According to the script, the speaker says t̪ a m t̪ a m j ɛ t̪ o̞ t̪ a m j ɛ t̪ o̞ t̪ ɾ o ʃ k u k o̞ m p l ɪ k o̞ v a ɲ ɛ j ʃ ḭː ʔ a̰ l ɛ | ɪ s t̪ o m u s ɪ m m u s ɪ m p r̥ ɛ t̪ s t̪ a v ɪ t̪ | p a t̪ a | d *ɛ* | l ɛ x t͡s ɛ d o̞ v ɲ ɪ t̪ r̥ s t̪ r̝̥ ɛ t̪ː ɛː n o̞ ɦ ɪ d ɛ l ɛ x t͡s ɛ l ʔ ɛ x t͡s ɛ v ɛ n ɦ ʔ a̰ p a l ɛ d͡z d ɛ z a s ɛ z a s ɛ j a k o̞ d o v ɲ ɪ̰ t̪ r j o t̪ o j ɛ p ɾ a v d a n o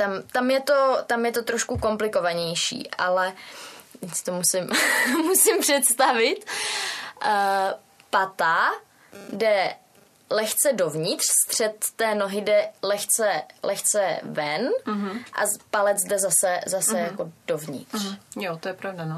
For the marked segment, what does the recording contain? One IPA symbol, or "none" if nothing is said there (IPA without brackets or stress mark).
ɛ